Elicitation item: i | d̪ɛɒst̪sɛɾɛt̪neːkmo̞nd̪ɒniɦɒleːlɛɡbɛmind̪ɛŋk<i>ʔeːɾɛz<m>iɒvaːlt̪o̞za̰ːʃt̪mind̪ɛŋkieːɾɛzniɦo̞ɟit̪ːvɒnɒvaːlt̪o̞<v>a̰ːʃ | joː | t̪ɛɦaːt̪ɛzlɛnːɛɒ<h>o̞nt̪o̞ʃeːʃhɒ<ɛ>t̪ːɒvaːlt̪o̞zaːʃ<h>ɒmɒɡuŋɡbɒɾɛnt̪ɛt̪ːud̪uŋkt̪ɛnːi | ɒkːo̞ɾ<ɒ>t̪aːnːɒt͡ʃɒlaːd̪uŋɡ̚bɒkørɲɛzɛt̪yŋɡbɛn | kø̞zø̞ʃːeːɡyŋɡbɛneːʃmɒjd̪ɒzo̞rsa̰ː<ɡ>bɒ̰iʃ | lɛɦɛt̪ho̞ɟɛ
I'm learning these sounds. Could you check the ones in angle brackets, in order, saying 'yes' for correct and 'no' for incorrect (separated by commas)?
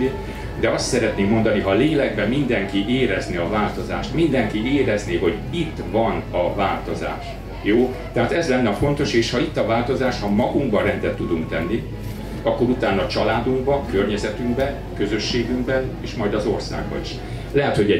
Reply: yes, no, no, no, no, yes, no, yes